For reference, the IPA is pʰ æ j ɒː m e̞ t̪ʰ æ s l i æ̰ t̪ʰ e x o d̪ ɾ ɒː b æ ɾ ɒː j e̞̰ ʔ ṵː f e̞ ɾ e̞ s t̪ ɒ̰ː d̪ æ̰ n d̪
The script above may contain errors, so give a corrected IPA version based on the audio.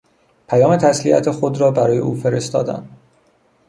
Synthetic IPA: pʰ æ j ɒː m e̞ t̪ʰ æ s l i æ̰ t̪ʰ e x o d̪ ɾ ɒː b æ ɾ ɒː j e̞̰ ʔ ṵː f e̞ ɾ e̞ s t̪ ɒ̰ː d̪ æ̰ n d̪